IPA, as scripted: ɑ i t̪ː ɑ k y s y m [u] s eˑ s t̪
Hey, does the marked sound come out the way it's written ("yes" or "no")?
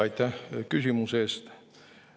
yes